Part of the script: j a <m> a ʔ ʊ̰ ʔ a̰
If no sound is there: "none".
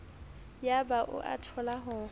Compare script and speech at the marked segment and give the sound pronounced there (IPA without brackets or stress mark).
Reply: b